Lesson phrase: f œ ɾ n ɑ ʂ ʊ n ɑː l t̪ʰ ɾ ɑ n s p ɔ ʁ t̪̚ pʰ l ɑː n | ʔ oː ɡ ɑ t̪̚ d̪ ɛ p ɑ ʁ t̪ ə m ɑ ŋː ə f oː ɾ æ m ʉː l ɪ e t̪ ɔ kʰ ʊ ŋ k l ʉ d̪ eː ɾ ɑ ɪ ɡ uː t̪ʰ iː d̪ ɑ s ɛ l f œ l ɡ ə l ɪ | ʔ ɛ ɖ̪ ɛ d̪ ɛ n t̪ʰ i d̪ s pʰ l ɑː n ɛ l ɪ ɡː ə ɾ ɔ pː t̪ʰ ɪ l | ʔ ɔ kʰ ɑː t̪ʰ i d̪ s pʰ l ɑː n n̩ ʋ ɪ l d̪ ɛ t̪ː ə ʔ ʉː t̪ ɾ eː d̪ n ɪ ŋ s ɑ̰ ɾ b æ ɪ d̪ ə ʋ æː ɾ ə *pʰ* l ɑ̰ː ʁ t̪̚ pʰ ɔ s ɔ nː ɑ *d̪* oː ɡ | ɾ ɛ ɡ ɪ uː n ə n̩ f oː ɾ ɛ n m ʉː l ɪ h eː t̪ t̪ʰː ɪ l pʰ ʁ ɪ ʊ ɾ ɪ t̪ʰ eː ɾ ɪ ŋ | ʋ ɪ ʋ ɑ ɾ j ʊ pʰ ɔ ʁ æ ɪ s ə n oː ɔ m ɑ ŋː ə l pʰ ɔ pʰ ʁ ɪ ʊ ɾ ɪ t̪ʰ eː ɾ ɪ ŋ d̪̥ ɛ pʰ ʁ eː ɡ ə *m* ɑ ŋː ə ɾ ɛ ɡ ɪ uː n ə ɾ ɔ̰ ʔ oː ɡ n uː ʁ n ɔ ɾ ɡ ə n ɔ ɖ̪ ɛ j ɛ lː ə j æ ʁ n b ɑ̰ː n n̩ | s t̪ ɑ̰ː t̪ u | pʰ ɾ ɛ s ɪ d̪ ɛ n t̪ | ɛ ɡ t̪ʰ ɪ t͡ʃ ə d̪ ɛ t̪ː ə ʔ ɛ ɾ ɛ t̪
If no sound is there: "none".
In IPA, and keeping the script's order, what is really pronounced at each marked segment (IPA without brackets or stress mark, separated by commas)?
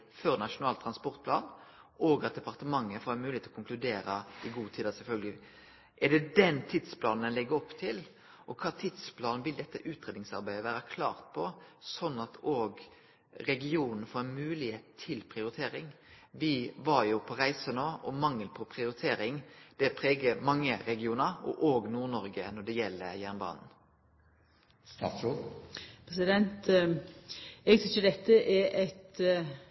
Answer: kʰ, t̪, m